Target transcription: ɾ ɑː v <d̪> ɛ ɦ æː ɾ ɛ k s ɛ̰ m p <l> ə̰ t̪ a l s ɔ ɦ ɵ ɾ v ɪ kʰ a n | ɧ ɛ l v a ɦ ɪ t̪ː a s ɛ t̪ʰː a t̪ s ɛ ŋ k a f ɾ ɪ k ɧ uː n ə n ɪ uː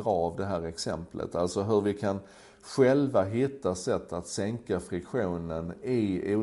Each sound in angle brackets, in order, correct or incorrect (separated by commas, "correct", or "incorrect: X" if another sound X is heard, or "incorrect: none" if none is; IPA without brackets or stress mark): correct, correct